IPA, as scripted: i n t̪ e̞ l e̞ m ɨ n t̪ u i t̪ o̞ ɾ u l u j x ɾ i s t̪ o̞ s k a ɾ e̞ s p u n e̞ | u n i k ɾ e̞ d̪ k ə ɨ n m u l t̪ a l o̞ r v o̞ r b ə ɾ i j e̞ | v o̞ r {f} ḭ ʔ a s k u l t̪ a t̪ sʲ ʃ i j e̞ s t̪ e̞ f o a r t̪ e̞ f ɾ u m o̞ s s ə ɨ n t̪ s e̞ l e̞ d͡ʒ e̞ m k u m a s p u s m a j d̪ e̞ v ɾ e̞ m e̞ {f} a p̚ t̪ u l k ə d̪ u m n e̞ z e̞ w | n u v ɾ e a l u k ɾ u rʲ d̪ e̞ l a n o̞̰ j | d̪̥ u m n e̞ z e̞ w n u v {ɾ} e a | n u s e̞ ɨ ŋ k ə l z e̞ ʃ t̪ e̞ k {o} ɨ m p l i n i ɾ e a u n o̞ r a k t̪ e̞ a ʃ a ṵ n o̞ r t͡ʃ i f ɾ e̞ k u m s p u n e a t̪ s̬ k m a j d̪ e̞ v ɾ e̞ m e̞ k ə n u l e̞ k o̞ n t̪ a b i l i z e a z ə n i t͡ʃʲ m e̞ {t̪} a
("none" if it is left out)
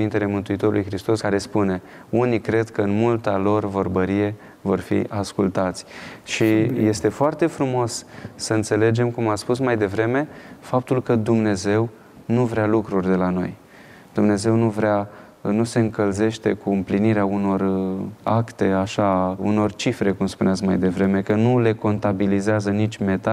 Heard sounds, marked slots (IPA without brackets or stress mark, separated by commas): f, f, ɾ, u, t̪